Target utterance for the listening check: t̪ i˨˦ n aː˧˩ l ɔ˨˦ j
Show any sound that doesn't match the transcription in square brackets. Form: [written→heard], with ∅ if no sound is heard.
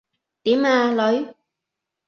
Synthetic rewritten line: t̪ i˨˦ [n→m] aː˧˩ l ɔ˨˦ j